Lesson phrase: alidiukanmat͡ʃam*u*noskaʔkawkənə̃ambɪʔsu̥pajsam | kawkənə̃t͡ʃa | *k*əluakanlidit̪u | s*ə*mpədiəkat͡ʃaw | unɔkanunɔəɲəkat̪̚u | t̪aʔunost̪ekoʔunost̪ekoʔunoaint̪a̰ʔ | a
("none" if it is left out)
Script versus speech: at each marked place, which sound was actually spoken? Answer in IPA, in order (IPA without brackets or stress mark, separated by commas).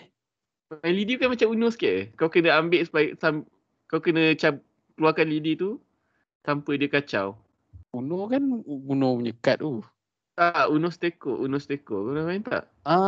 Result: u, k, a